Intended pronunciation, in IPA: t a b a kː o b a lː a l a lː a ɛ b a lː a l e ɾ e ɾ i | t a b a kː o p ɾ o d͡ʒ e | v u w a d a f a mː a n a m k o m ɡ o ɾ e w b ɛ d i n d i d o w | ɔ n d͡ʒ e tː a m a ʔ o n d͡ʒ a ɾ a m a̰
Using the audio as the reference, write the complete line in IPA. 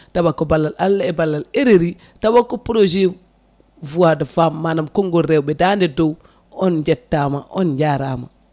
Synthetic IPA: t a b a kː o b a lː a l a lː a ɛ b a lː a l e ɾ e ɾ i | t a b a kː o p ɾ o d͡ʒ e | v u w a d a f a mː a n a m k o ŋ ɡ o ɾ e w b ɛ d a n d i d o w | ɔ n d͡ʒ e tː a m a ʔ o n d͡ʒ a ɾ a m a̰